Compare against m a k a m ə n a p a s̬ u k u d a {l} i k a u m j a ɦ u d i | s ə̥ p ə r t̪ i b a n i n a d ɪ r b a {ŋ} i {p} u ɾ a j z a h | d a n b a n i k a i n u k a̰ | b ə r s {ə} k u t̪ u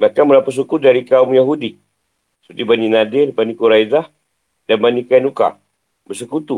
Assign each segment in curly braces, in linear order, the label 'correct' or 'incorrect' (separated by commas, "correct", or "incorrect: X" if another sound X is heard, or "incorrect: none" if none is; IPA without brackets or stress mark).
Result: incorrect: ɾ, incorrect: n, incorrect: k, correct